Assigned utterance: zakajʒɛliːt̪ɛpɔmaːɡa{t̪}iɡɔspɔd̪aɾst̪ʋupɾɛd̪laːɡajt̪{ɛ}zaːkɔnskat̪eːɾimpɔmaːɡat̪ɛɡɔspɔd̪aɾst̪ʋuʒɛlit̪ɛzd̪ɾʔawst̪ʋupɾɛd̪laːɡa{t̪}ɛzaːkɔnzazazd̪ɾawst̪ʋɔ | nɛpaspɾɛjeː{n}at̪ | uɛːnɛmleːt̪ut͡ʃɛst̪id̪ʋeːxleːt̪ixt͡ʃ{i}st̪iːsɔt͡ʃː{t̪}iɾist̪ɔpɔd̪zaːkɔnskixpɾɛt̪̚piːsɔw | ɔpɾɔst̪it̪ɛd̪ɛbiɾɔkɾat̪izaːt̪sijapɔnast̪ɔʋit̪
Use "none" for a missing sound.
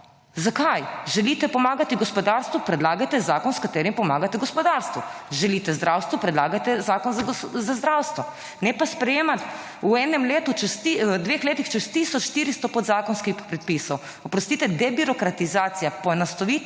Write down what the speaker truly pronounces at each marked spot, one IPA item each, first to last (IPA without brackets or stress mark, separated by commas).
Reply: t̪, ɛ, t̪, m, ɛ, t̪